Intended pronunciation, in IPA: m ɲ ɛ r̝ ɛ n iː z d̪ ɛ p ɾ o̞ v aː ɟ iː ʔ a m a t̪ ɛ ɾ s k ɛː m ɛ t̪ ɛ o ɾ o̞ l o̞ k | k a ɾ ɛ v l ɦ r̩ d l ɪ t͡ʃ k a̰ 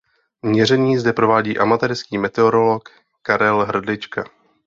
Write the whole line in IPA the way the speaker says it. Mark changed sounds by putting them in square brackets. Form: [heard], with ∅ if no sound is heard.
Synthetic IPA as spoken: m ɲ ɛ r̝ ɛ [ɲ] iː z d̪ ɛ p ɾ o̞ v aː ɟ iː ʔ a m a t̪ ɛ ɾ s k [iː] m ɛ t̪ ɛ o ɾ o̞ l o̞ k | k a ɾ ɛ [∅] l ɦ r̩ d l ɪ t͡ʃ k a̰